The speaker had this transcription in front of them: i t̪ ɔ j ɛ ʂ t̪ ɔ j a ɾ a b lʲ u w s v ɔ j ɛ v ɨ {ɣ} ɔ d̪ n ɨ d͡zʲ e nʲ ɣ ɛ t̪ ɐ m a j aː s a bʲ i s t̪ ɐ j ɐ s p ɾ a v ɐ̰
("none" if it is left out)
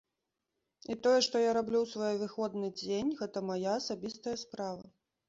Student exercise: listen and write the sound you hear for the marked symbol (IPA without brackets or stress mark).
x